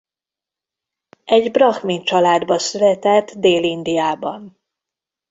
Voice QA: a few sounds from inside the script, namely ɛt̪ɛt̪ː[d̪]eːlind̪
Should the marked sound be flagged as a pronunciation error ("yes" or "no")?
no